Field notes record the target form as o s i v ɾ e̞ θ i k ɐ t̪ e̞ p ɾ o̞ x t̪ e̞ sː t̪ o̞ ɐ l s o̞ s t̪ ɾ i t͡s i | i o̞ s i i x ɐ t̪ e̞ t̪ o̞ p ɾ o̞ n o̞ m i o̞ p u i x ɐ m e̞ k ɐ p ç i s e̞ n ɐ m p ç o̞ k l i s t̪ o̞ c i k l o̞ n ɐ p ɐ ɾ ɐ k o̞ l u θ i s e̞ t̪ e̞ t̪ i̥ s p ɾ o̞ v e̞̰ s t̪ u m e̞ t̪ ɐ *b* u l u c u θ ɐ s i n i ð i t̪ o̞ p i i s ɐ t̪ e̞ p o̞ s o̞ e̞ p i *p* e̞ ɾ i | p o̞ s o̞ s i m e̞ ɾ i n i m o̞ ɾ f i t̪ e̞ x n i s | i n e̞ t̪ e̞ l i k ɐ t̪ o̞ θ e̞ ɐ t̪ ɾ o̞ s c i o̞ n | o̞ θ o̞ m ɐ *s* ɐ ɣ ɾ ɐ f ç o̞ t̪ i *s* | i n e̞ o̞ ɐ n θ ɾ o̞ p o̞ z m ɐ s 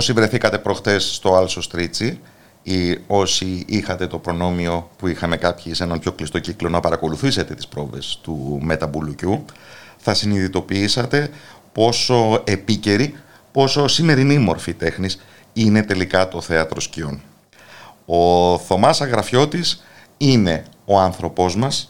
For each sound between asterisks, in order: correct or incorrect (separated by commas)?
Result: correct, incorrect, correct, correct